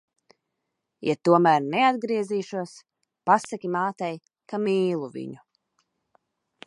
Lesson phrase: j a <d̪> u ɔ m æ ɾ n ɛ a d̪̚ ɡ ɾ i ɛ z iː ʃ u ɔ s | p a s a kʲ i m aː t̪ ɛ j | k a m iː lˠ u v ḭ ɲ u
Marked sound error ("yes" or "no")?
yes